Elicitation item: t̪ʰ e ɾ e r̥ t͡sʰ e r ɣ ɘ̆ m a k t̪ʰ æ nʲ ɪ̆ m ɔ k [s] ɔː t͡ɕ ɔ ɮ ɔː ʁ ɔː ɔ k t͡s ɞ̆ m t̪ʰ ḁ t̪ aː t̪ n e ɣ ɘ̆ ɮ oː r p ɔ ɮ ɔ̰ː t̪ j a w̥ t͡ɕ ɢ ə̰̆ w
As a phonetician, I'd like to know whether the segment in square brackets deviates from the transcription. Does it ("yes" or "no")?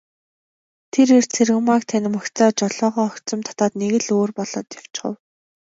yes